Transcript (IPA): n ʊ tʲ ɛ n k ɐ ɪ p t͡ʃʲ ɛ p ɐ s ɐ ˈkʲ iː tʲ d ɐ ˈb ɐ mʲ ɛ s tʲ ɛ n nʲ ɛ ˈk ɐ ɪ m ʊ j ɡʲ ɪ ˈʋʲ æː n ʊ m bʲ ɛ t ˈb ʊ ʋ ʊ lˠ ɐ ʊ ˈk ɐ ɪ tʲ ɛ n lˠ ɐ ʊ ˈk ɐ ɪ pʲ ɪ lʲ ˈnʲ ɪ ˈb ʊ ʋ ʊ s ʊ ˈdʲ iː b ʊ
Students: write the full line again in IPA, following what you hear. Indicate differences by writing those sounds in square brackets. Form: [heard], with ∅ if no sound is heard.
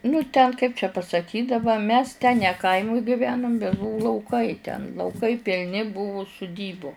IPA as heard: n ʊ tʲ ɛ n k ɐ ɪ p t͡ʃʲ ɛ p ɐ s ɐ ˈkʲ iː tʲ d ɐ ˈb ɐ mʲ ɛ s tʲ ɛ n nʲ ɛ ˈk ɐ ɪ m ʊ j ɡʲ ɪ ˈʋʲ æː n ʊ m bʲ ɛ t ˈb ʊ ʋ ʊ lˠ ɐ ʊ ˈk ɐ ɪ tʲ ɛ n lˠ ɐ ʊ ˈk ɐ ɪ pʲ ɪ lʲ ˈnʲ ɪ ˈb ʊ ʋ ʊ s ʊ ˈdʲ iː b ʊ